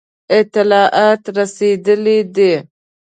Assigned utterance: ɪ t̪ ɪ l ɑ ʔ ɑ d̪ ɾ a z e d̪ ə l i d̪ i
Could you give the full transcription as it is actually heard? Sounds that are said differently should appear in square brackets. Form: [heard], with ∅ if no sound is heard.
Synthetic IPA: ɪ t̪ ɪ l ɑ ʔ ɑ [t̪] ɾ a [s] e d̪ ə l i d̪ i